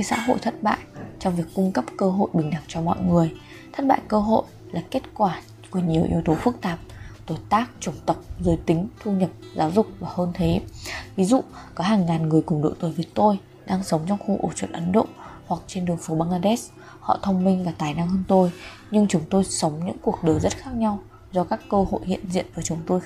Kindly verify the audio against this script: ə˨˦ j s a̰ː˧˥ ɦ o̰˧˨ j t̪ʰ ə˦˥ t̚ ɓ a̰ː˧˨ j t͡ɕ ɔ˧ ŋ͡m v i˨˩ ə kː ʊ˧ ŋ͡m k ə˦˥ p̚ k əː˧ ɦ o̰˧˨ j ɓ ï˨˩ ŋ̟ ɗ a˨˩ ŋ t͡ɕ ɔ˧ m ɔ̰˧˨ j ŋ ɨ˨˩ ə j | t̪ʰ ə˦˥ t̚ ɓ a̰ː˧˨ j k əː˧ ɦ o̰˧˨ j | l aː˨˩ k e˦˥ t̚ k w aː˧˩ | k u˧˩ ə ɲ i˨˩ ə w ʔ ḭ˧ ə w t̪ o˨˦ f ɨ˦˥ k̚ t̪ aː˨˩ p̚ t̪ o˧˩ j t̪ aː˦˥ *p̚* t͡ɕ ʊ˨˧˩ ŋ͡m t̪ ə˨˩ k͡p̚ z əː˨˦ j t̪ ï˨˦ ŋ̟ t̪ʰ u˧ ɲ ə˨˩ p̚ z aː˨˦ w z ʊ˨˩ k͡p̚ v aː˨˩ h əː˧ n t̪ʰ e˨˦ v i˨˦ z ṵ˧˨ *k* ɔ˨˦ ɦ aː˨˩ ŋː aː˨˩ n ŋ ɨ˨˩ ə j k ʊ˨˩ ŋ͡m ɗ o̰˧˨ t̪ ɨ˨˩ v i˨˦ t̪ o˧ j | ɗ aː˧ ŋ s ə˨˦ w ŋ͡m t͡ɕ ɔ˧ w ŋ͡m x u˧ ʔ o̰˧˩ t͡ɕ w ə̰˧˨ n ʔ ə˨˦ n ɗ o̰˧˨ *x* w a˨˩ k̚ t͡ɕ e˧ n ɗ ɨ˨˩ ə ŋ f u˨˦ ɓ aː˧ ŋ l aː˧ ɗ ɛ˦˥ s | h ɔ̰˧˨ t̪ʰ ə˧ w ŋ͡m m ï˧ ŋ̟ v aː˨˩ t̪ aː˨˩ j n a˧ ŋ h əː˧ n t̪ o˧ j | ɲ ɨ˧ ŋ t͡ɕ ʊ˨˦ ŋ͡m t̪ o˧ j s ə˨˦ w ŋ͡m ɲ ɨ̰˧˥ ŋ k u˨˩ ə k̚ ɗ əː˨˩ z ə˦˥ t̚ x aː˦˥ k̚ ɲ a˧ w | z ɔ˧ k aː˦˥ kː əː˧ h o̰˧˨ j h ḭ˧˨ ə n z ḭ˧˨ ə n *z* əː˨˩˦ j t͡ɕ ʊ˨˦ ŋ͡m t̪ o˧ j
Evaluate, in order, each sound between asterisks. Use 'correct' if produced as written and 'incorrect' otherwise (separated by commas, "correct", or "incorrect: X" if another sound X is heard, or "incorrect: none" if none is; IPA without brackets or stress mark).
incorrect: k̚, correct, incorrect: h, incorrect: v